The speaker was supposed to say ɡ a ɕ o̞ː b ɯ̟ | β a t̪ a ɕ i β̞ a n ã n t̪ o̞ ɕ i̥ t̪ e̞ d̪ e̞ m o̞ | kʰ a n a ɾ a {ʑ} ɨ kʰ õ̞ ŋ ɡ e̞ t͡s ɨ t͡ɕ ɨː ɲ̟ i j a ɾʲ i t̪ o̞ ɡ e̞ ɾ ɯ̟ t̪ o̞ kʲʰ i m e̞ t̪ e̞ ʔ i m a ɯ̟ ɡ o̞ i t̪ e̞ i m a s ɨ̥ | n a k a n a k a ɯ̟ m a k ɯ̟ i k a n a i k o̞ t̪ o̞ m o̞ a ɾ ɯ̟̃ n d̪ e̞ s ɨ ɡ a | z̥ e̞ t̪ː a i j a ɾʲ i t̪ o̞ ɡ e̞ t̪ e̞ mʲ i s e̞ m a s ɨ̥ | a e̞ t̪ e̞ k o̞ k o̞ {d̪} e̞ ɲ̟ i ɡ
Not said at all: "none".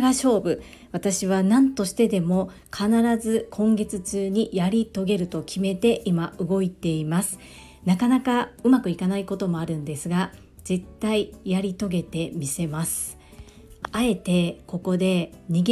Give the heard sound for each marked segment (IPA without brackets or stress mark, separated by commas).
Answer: z, d̪